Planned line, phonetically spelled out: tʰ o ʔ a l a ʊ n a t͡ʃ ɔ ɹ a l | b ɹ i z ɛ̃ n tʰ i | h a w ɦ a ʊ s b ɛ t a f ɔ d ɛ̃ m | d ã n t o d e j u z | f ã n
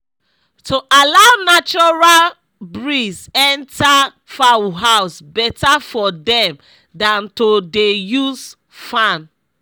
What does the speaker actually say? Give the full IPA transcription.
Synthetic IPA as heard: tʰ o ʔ a l a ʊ n a t͡ʃ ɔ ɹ a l | b ɹ i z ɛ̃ n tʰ a | f a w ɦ a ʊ s b ɛ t a f ɔ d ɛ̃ m | d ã n t o d e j u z | f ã n